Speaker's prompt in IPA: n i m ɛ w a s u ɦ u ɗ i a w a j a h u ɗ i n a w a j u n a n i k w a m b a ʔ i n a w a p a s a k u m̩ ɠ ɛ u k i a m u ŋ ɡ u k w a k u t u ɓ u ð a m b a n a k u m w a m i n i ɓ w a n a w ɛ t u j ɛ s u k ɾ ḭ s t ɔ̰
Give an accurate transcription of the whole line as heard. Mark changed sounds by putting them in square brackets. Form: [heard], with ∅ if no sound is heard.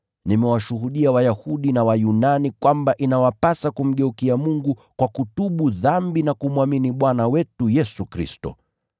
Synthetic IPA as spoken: n i m ɛ w a [ʃ] u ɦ u ɗ i a w a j a h u ɗ i n a w a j u n a n i k w a m b a ʔ i n a w a p a s a k u m̩ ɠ ɛ u k i a m u ŋ ɡ u k w a k u t u ɓ u ð a m b [i] n a k u m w a m i n i ɓ w a n a w ɛ t u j ɛ s u k ɾ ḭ s t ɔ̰

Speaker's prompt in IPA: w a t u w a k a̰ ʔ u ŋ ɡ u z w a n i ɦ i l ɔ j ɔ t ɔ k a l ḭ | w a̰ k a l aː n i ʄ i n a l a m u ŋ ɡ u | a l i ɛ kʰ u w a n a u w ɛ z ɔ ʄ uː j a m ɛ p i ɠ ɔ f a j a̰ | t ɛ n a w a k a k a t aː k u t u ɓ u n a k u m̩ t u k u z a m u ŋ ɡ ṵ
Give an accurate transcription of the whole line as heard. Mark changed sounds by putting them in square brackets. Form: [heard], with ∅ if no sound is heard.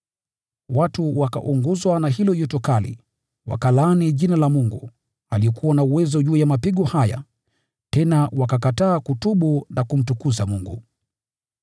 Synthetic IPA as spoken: w a t u w a k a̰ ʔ u ŋ ɡ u z w a n [a] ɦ i l ɔ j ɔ t ɔ k a l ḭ | w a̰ k a l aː n i ʄ i n a l a m u ŋ ɡ u | a l i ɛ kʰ u w a n a u w ɛ z ɔ ʄ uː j a m [a] p i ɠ ɔ [h] a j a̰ | t ɛ n a w a k a k a t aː k u t u ɓ u n a k u m̩ t u k u z a m u ŋ ɡ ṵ

